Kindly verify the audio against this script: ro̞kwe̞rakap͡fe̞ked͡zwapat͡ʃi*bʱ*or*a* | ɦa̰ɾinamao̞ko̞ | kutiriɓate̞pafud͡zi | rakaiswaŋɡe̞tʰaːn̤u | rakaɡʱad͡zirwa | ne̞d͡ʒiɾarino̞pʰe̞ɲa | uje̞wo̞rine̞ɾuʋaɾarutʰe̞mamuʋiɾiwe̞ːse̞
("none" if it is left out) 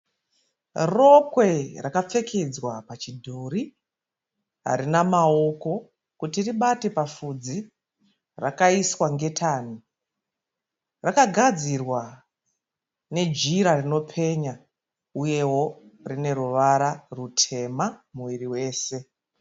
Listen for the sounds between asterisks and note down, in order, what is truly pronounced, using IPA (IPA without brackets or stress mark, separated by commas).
dʱ, i